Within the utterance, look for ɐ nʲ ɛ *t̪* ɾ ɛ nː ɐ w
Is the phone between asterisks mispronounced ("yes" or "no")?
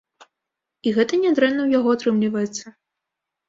yes